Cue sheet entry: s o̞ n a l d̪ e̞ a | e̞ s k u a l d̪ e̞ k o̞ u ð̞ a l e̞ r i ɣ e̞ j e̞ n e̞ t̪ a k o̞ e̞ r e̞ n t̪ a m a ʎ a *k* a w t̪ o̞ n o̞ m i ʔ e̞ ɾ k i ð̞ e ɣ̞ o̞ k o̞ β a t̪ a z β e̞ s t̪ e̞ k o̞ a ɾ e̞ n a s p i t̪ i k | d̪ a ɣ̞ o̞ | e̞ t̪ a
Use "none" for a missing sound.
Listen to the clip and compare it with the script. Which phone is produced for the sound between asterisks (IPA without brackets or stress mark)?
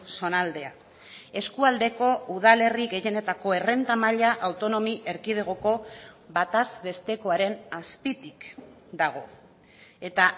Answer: ʔ